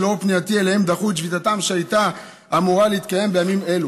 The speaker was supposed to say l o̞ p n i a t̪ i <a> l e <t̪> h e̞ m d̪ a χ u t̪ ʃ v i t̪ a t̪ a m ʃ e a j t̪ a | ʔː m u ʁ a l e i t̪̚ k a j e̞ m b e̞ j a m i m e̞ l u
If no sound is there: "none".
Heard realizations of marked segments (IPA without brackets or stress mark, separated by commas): e, none